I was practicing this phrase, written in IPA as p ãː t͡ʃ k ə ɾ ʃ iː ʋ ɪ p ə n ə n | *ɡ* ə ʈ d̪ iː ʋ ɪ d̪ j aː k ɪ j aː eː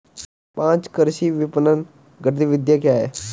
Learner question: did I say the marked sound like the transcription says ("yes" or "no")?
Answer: yes